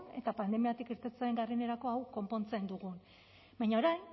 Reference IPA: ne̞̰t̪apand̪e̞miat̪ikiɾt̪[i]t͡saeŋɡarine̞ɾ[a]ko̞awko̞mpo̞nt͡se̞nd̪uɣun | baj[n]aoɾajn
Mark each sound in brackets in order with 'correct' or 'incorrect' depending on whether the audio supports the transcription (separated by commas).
incorrect, correct, incorrect